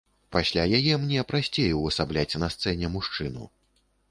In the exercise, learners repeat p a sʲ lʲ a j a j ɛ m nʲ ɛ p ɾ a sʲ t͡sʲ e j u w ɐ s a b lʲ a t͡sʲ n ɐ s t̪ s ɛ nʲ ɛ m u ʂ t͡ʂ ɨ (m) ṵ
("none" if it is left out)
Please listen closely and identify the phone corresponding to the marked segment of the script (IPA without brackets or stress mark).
n